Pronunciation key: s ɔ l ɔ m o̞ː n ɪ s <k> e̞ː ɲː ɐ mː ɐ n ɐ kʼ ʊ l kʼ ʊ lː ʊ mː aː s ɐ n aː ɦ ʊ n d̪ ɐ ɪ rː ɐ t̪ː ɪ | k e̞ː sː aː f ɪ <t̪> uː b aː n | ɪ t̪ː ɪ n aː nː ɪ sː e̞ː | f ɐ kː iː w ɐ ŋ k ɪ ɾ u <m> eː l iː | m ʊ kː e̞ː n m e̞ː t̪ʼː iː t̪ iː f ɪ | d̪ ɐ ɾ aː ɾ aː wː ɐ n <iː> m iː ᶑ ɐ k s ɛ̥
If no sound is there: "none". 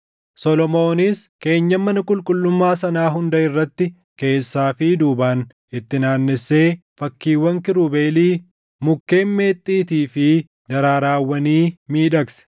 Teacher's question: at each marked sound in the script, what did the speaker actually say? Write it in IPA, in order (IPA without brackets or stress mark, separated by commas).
k, d̪, b, iː